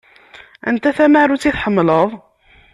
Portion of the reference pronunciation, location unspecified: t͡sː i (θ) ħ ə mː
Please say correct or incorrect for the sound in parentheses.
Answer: correct